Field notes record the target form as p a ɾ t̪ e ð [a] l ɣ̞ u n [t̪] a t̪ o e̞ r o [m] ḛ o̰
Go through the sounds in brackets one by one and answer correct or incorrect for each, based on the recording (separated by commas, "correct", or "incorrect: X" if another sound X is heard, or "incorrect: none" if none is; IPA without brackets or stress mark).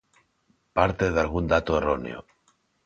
correct, incorrect: d̪, incorrect: n